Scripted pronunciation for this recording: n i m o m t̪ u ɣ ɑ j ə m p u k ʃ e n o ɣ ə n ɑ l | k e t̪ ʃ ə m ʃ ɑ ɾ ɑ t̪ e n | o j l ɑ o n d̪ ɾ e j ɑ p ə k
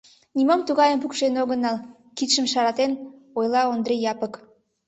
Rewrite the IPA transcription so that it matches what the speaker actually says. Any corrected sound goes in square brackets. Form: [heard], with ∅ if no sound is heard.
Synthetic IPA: n i m o m t̪ u ɣ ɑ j ə m p u k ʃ e n o ɣ ə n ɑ l | k [i] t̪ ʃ ə m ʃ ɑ ɾ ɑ t̪ e n | o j l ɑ o n d̪ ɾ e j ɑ p ə k